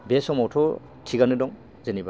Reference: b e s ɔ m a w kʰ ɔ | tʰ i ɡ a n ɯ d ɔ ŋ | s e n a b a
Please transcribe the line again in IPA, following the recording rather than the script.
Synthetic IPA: b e s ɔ m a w tʰ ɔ | tʰ i ɡ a n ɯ d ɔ ŋ | z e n i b a